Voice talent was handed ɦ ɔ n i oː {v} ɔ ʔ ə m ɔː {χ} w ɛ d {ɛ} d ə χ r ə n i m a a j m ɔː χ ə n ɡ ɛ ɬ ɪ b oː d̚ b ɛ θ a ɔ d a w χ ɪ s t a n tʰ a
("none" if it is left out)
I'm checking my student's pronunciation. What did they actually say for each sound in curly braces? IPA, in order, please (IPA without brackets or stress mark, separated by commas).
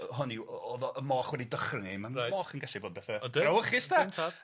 ð, χ, i